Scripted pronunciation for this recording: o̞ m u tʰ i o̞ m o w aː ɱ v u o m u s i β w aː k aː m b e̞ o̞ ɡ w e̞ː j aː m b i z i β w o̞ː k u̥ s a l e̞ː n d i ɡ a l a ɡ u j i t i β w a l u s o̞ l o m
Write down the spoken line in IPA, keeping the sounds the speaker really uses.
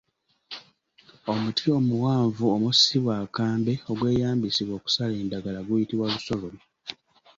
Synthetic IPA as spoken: o̞ m u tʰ i o̞ m u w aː ɱ v u o m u s i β w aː k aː m b e̞ o̞ ɡ w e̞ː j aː m b i s i β w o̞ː k u̥ s a l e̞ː n d a ɡ a l a ɡ u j i t i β w a l u s o̞ l o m